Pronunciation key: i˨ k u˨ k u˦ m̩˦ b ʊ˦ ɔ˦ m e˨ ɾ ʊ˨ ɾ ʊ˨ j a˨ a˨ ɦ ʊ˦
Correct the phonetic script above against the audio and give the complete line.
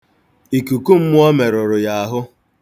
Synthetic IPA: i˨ k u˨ k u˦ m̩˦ m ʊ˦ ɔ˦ m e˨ ɾ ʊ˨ ɾ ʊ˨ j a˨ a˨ ɦ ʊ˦

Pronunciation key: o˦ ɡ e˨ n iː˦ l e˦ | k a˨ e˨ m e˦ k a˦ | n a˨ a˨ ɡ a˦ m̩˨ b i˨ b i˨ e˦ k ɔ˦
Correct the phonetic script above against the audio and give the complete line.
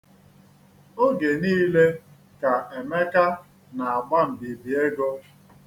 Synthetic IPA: o˦ ɡ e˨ n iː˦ l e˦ | k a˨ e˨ m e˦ k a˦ | n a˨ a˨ ɡ͡b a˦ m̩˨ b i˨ b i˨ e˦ ɡ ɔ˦

